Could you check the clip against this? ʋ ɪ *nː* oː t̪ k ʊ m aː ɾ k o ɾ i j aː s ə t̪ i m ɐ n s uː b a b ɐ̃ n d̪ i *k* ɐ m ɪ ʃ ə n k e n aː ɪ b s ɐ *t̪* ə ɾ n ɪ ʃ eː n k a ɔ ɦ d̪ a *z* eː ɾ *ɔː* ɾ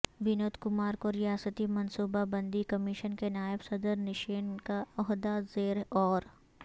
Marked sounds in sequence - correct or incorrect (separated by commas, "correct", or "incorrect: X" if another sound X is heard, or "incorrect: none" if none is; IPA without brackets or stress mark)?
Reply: incorrect: n, correct, incorrect: d̪, correct, correct